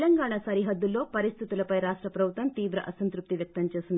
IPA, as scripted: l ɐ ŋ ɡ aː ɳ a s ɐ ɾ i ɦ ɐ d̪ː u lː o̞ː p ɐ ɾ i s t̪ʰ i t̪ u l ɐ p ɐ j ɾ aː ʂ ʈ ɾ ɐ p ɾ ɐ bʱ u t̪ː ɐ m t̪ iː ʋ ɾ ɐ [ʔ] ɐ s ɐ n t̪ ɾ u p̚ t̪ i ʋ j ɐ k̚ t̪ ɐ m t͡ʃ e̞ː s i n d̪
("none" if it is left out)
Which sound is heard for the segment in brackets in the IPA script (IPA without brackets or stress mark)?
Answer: ʔ